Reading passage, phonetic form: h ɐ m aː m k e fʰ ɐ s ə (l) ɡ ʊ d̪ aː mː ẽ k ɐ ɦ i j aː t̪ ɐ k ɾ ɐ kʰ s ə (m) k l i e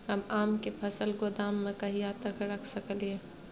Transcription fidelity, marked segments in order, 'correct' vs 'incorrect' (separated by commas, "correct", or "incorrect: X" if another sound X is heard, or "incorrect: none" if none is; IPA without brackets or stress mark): correct, incorrect: none